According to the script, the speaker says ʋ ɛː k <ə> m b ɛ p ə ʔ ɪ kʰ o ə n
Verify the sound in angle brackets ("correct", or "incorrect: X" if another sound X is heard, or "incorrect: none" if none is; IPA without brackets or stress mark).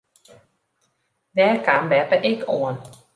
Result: incorrect: a